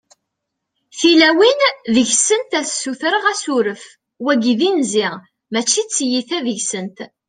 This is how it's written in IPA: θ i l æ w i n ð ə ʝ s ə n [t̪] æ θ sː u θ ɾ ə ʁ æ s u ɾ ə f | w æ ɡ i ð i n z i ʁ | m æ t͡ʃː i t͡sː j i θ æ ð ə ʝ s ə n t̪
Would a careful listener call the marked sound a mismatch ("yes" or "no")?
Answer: no